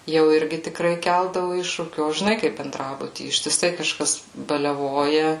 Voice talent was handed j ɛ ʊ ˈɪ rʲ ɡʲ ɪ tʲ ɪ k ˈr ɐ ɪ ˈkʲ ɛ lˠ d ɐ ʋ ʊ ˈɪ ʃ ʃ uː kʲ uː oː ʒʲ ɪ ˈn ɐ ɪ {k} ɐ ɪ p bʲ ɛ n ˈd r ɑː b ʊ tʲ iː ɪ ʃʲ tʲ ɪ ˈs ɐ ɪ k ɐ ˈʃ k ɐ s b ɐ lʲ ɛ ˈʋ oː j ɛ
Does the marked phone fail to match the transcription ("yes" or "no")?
no